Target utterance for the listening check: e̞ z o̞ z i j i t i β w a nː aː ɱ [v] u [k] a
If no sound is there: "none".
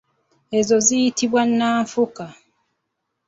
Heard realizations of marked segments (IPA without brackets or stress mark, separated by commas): f, k